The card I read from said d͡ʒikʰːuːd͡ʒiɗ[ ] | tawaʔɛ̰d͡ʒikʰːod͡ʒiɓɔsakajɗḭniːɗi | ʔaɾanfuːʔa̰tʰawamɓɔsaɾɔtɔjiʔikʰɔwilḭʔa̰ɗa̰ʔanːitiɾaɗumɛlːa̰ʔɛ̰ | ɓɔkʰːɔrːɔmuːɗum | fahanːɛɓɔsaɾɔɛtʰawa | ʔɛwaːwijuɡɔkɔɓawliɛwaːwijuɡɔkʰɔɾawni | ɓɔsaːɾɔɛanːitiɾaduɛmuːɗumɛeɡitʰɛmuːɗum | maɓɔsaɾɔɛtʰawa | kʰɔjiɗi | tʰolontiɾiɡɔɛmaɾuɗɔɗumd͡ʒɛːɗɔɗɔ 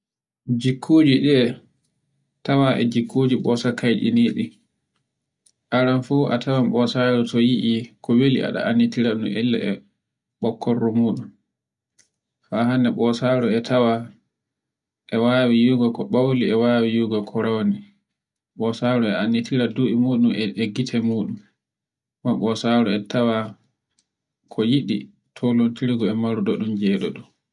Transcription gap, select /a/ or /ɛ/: ɛ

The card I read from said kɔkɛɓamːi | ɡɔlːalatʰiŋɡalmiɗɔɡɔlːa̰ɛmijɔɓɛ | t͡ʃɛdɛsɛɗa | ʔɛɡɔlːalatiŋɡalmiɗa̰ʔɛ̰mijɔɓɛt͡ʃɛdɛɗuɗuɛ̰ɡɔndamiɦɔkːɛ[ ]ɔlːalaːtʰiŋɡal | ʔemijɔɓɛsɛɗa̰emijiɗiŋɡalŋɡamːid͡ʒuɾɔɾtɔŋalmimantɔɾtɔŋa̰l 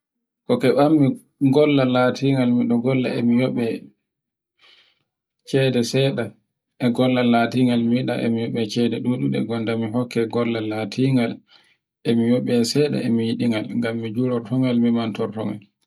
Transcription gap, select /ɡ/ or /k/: ɡ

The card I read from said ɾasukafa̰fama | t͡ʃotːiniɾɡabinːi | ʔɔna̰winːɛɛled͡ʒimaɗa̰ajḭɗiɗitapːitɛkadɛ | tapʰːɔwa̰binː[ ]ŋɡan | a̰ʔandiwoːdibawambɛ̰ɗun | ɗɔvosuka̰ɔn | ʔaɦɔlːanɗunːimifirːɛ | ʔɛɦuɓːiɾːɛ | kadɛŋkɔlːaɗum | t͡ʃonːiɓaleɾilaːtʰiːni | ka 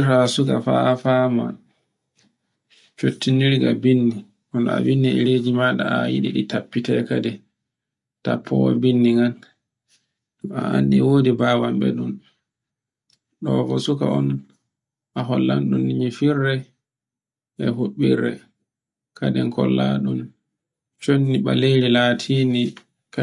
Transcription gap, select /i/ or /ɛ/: i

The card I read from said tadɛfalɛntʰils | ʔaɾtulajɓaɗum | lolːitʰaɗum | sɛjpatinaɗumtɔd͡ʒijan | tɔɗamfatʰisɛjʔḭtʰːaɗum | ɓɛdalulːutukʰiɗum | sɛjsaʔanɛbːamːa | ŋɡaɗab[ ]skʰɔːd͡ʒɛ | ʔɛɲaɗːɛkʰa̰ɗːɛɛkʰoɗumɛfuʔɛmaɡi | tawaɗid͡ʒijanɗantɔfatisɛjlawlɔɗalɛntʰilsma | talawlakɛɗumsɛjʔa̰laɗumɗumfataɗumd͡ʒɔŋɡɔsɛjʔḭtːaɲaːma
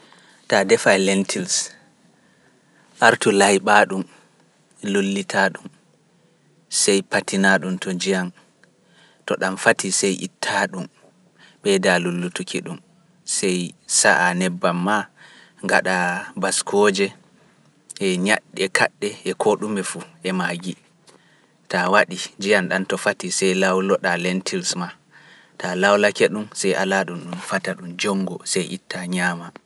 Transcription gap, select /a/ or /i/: a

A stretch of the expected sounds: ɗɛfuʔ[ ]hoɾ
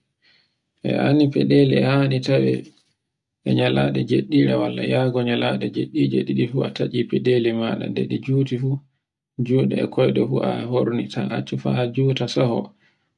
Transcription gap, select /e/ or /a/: a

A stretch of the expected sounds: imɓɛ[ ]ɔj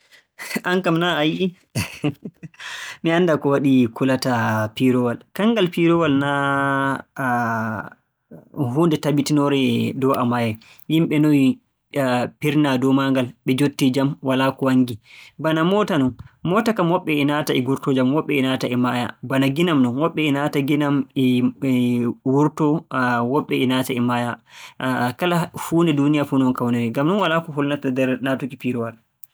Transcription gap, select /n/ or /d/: n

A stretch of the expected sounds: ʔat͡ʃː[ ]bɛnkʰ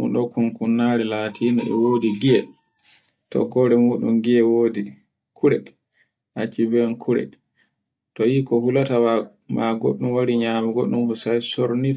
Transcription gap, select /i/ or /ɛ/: i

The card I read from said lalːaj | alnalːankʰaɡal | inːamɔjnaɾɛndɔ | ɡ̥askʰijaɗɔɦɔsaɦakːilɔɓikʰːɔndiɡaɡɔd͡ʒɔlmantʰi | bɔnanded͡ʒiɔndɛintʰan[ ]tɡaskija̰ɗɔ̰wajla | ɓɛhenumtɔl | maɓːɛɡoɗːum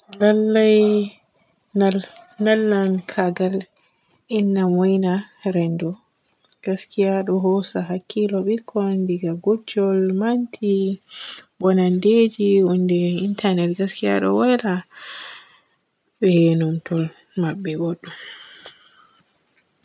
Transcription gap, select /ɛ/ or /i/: ɛ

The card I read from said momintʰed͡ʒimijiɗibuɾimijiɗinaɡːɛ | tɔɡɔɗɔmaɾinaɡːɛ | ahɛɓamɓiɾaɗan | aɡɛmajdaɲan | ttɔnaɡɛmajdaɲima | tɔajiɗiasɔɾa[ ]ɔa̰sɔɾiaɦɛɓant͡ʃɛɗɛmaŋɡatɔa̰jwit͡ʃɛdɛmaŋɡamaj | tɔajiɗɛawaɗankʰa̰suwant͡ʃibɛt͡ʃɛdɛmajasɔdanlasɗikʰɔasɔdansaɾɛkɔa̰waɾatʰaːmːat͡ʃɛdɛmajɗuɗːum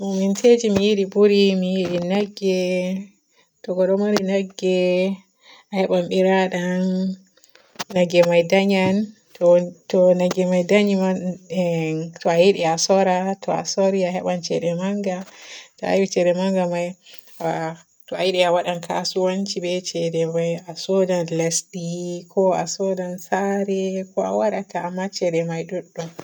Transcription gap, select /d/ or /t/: t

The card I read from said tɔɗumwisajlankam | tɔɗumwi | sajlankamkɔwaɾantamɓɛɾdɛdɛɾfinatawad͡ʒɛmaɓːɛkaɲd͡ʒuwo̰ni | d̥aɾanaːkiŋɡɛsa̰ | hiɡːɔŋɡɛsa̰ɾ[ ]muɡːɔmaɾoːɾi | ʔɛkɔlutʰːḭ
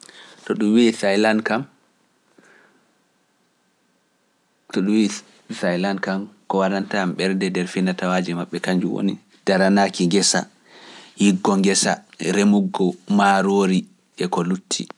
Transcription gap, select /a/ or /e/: e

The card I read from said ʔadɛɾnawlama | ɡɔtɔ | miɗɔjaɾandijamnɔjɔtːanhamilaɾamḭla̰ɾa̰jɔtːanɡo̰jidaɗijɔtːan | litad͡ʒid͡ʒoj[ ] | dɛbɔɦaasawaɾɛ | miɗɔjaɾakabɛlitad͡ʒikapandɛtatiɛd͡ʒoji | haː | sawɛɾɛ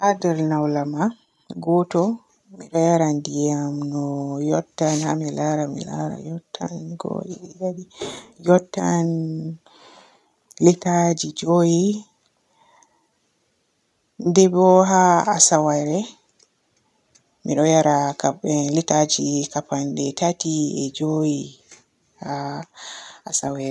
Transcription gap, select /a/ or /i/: i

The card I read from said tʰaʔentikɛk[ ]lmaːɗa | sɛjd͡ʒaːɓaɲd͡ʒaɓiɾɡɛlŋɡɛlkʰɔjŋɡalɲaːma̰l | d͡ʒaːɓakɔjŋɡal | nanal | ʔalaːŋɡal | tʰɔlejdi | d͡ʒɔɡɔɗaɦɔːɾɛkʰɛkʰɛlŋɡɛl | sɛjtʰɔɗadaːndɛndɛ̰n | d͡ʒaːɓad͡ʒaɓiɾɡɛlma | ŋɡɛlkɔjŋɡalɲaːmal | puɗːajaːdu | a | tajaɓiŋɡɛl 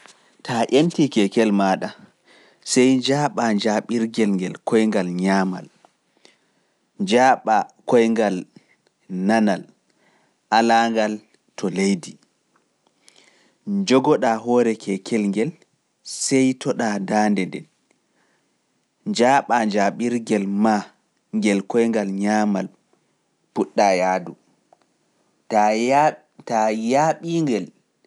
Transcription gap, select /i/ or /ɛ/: ɛ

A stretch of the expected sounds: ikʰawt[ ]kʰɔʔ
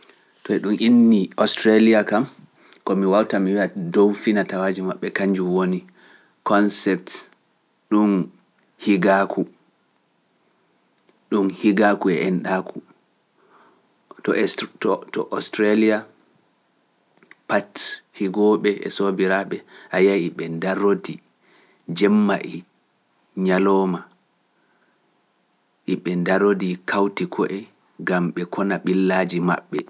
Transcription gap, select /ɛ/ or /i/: i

